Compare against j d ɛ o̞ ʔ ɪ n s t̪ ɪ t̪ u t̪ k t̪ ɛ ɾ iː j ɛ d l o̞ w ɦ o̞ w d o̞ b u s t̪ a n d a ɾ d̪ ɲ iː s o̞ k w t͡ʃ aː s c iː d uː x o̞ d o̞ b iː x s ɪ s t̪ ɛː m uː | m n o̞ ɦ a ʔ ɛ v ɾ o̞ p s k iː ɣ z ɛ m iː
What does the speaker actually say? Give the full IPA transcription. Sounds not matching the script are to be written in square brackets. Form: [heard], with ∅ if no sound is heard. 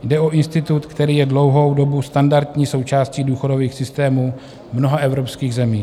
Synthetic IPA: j d ɛ o̞ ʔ ɪ n s t̪ ɪ t̪ u t̪ k t̪ ɛ ɾ iː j ɛ d l o̞ w ɦ o̞ w d o̞ b u s t̪ a n d a ɾ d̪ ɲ iː s o̞ [∅] w t͡ʃ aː s c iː d uː x o̞ d o̞ [v] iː x s ɪ s t̪ ɛː m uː | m n o̞ ɦ a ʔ ɛ v ɾ o̞ p s k iː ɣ z ɛ m iː